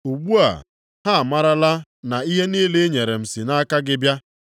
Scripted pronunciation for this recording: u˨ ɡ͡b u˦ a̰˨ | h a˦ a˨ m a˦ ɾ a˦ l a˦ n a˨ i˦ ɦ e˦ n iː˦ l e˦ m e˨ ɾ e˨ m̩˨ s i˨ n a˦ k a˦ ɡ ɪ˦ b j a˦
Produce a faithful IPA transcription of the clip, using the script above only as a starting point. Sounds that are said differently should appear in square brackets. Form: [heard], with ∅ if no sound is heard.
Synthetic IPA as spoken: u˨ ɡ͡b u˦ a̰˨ | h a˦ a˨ m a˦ ɾ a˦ l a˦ n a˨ i˦ ɦ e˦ n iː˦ l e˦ [ɲ] e˨ ɾ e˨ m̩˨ s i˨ n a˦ k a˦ ɡ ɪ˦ b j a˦